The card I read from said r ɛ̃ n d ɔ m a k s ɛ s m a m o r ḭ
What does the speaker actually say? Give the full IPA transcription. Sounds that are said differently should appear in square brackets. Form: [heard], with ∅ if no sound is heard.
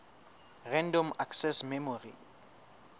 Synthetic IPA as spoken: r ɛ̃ n d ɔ m a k s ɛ s m [ɛ] m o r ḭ